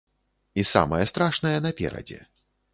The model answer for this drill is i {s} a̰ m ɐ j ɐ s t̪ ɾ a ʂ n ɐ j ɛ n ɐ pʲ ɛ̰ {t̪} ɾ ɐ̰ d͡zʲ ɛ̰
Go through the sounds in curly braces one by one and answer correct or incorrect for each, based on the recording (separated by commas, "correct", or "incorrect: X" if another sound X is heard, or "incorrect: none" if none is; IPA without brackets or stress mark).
correct, incorrect: none